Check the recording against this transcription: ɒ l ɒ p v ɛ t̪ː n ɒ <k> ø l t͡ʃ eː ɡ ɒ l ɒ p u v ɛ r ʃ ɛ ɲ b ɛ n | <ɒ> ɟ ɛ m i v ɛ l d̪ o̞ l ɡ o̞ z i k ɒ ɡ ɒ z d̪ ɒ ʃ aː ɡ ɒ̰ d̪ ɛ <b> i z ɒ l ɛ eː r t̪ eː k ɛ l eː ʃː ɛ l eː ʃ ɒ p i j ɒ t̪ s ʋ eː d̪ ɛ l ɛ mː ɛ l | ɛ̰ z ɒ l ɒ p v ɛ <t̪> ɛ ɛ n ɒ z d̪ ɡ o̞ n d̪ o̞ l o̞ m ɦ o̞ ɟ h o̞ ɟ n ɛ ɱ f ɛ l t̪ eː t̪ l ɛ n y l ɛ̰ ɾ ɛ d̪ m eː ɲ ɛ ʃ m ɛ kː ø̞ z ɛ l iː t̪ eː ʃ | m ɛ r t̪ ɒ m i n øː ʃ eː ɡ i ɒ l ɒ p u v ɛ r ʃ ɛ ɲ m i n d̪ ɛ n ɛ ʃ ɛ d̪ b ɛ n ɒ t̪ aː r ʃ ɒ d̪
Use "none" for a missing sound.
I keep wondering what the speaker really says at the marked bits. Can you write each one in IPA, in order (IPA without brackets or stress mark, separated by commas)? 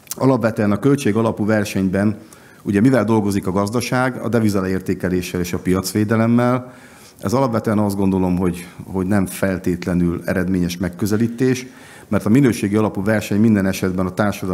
k, u, v, t̪